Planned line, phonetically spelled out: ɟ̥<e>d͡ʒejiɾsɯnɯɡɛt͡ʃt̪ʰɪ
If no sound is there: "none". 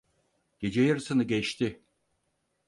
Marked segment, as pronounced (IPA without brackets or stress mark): e